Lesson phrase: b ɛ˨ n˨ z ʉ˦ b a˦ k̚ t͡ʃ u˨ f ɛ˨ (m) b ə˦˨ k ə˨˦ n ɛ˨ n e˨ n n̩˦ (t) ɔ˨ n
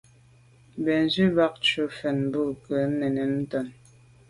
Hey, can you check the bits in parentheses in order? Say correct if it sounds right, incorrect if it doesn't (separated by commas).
incorrect, correct